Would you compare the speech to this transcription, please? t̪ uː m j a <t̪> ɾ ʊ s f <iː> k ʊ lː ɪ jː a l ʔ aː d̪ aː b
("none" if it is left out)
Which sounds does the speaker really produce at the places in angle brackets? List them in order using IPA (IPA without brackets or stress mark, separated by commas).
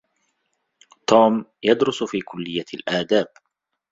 d̪, iː